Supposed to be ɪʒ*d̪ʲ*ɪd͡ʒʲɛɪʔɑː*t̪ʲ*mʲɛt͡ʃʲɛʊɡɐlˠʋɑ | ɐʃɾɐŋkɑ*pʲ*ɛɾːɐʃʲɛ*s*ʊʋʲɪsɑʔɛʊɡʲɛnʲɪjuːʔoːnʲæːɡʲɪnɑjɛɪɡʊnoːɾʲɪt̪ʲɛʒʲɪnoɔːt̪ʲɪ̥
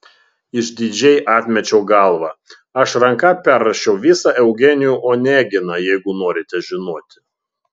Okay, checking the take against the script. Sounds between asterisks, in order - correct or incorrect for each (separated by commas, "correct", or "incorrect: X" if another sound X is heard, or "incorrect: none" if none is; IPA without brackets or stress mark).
correct, correct, correct, incorrect: none